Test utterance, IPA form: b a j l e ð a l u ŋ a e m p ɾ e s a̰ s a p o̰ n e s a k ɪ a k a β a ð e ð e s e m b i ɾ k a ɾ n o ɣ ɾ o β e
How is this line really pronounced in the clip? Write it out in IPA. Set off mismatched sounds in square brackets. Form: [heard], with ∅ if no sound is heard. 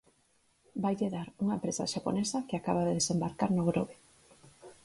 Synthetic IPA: b a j [ʎ] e ð a [ɾ] u ŋ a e m p ɾ e s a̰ [ʃ] a p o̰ n e s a k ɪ a k a β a ð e ð e s e m b [a] ɾ k a ɾ n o ɣ ɾ o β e

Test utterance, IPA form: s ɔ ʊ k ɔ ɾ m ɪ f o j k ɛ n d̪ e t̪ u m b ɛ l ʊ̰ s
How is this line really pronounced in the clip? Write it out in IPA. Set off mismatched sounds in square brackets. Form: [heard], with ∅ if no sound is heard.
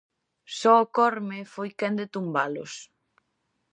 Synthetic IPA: s ɔ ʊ k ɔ ɾ m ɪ f o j k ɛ n d̪ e t̪ u m b [a] l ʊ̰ s

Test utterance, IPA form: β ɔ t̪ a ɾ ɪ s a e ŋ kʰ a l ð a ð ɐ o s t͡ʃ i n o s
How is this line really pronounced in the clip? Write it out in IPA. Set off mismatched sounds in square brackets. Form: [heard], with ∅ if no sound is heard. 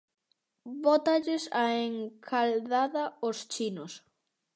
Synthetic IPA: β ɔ t̪ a [ʎ] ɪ s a e ŋ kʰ a l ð a ð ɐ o s t͡ʃ i n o s

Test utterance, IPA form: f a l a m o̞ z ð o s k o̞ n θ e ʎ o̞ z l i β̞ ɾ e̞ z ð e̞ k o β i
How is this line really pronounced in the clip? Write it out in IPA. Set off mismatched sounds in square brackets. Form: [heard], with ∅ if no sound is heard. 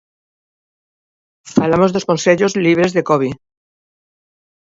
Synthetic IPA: f a l a m o̞ z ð o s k o̞ n [s] e ʎ o̞ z l i β̞ ɾ e̞ z ð e̞ k o β i

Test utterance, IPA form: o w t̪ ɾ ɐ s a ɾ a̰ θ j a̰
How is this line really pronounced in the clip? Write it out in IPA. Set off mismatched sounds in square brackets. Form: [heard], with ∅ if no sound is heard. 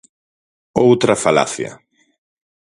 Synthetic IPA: o w t̪ ɾ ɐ [f] a [l] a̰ θ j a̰

